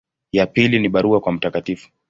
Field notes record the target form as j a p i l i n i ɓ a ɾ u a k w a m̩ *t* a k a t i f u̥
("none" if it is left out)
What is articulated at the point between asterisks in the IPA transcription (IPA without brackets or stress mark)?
t